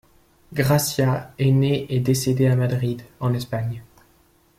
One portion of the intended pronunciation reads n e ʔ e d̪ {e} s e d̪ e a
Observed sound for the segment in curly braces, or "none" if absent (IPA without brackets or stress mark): e